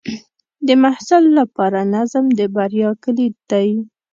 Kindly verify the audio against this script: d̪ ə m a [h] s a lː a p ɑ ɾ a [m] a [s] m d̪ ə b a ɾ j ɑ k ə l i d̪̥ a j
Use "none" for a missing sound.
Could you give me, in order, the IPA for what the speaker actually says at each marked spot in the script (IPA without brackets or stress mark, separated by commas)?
h, n, z